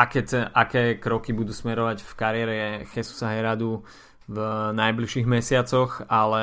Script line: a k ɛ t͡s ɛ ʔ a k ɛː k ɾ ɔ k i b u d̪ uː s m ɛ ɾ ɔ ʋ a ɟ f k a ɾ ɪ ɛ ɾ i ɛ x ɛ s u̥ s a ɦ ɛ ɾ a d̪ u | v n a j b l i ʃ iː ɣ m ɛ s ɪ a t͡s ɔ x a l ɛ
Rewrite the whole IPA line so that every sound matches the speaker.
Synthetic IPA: a k ɛ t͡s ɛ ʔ a k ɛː k ɾ ɔ k i b u d̪ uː s m ɛ ɾ ɔ ʋ a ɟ f k a ɾ ɪ ɛ ɾ ɛ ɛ x ɛ s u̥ s a ɦ ɛ ɾ a d̪ u | v n a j b l i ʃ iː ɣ m ɛ s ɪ a t͡s ɔ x a l ɛ